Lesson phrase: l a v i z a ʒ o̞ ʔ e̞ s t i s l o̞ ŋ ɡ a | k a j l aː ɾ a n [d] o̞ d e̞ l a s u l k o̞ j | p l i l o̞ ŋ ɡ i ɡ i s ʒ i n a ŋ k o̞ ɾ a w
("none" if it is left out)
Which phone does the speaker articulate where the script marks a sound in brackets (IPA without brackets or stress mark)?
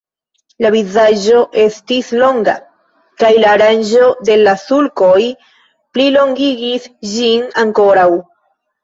d͡ʒ